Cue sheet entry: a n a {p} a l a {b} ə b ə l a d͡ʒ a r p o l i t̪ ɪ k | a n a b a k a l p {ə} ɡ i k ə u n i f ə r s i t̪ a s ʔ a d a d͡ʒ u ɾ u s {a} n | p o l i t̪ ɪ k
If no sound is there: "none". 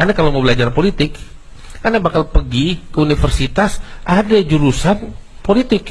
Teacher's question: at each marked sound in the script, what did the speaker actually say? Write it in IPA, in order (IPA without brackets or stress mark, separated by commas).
k, m, ə, a